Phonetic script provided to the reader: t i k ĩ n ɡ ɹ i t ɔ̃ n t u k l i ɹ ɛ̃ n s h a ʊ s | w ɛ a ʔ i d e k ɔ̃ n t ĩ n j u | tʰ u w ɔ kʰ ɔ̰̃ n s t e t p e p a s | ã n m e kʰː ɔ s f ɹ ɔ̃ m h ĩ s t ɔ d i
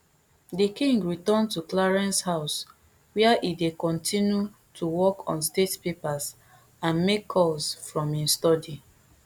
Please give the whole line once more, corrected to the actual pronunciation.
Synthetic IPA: d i k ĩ ŋ ɡ ɹ i t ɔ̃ n t u k l a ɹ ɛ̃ n s h a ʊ s | w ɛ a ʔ i d e k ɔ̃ n t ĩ n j u | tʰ u w ɔ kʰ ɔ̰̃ n s t e t p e p a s | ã n m e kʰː ɔ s f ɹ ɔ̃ m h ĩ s t ɔ d i